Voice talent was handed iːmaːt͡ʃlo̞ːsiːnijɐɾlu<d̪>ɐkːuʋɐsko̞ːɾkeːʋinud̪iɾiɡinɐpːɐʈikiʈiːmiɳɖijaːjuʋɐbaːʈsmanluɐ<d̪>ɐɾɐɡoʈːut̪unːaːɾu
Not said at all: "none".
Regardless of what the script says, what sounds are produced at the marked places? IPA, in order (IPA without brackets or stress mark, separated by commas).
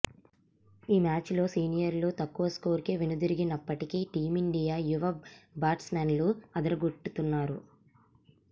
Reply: t̪, d̪